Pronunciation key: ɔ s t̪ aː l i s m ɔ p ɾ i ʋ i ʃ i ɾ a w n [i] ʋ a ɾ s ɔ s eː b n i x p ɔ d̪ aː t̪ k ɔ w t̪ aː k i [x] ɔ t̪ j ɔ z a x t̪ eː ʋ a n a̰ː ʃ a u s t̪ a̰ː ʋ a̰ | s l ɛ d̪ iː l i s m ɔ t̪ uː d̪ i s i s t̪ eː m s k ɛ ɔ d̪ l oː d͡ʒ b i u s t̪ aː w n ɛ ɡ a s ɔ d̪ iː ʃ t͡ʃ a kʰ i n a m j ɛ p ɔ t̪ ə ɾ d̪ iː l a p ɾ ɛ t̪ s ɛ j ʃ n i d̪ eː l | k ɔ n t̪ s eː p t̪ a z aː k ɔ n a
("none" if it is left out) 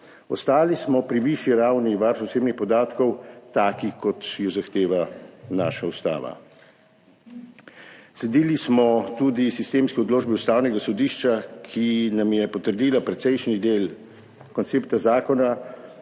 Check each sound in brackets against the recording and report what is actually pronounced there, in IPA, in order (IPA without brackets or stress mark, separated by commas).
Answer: i, k